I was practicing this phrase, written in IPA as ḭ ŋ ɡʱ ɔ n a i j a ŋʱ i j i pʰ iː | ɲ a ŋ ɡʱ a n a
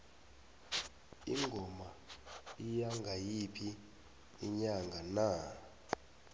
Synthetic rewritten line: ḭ ŋ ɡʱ ɔ m a i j a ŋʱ a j i pʰ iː | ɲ a ŋ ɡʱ a n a